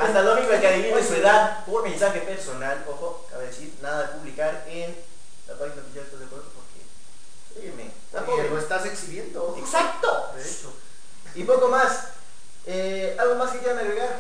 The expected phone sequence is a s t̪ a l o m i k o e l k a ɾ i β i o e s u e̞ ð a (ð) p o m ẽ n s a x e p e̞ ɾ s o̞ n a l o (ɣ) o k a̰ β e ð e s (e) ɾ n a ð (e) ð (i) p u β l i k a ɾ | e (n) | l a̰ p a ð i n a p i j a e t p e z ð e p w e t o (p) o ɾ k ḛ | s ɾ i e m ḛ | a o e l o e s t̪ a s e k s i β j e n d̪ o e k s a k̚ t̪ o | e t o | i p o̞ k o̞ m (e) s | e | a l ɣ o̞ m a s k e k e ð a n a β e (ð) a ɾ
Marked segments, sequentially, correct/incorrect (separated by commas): correct, incorrect, incorrect, incorrect, incorrect, correct, correct, incorrect, incorrect